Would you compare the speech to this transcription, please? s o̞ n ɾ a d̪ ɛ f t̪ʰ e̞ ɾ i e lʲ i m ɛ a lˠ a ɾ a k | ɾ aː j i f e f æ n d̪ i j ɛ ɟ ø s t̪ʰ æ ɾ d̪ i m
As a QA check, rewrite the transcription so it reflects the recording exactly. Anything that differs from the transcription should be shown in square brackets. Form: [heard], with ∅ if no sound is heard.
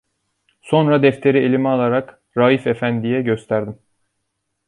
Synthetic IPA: s o̞ n ɾ a d̪ ɛ f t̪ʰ e̞ ɾ i e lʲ i m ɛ a lˠ a ɾ a k | ɾ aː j i f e f æ n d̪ i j ɛ ɟ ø s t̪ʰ æ ɾ d̪ i m